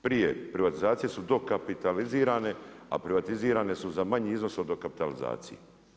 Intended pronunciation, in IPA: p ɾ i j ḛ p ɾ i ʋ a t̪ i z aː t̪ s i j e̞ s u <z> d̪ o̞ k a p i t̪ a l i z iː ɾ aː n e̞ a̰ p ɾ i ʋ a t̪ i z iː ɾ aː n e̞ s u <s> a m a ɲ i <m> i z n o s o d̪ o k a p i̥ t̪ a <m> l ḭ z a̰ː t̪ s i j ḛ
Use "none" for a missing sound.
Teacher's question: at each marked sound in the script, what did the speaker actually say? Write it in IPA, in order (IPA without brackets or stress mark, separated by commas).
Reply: none, z, none, none